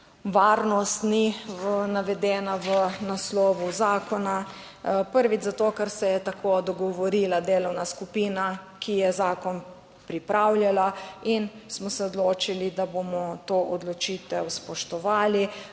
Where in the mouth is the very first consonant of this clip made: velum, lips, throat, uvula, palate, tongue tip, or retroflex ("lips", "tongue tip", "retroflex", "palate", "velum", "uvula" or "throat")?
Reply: lips